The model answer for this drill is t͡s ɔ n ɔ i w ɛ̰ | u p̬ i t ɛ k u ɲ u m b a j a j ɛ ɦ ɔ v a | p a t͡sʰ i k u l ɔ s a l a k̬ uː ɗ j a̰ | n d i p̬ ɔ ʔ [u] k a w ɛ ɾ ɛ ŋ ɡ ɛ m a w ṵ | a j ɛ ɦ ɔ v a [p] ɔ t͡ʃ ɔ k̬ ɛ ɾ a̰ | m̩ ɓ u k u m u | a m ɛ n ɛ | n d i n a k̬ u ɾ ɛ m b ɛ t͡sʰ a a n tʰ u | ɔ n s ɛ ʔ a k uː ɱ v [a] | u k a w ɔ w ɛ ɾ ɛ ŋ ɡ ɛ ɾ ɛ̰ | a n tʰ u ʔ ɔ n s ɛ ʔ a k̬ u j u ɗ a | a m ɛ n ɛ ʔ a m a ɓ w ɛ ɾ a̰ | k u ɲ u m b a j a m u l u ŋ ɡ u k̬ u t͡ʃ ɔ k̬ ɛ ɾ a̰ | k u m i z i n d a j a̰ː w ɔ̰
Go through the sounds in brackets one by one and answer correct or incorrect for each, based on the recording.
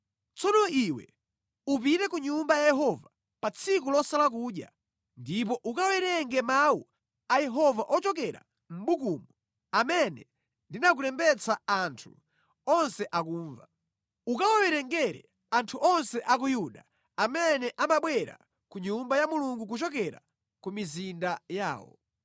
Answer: correct, incorrect: ʔ, correct

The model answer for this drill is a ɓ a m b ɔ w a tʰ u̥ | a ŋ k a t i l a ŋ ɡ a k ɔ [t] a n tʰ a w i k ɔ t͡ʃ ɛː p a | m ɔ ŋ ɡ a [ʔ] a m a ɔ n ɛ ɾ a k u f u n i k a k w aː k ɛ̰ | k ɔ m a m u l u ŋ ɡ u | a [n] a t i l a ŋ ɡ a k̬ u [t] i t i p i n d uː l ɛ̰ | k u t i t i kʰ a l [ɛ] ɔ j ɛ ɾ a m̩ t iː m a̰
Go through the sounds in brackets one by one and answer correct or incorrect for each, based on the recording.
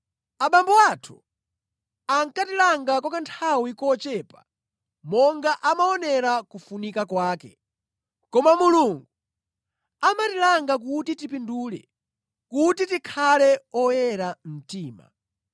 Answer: incorrect: k, correct, incorrect: m, correct, correct

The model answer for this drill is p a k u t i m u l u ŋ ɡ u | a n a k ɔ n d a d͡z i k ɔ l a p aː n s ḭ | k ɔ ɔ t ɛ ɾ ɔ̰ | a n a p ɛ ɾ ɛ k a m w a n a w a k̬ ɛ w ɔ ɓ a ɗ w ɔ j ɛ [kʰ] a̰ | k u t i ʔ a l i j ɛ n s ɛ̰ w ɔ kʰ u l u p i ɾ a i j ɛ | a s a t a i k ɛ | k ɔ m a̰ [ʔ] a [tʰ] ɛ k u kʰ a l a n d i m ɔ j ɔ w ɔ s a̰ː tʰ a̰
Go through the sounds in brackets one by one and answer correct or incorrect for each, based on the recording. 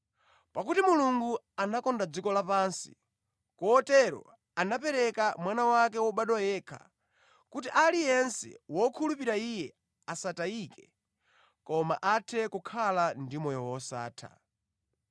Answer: correct, correct, correct

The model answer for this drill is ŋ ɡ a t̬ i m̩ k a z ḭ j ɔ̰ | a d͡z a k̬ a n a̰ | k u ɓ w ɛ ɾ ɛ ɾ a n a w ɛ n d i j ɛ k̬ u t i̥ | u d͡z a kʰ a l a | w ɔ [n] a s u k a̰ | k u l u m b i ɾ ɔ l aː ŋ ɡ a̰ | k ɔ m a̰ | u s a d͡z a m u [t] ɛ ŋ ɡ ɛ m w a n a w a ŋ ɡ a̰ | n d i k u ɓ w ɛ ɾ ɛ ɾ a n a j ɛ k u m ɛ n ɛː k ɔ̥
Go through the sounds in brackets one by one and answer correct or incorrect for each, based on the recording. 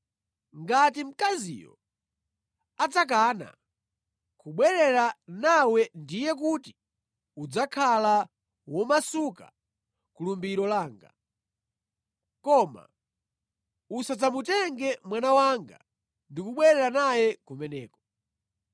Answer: incorrect: m, correct

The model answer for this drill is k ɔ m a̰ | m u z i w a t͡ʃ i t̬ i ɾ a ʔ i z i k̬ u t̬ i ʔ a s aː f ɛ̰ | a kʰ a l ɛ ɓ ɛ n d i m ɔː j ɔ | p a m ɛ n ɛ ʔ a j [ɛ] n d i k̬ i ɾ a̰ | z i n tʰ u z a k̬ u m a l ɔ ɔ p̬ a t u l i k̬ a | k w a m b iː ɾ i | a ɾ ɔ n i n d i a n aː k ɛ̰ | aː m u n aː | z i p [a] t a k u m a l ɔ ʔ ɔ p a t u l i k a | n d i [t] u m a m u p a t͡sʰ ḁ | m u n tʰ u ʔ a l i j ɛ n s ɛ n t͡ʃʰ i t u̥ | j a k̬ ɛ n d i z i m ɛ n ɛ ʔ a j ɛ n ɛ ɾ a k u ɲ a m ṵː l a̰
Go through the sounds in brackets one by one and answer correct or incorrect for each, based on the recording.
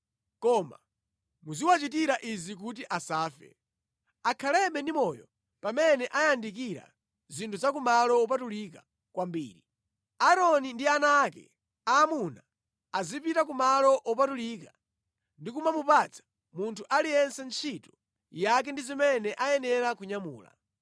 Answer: incorrect: a, incorrect: i, incorrect: k

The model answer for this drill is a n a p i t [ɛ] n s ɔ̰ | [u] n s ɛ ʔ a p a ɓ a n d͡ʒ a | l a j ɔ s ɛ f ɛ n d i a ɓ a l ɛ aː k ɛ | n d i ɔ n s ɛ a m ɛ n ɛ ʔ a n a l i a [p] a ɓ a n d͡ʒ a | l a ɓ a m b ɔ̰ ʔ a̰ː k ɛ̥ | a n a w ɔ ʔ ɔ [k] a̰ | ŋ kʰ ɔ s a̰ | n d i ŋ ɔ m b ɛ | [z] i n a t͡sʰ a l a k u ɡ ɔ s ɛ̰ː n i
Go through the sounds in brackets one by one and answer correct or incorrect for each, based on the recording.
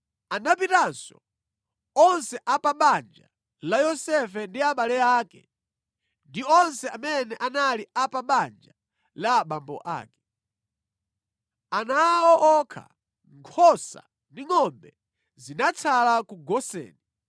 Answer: incorrect: a, incorrect: ɔ, correct, incorrect: kʰ, correct

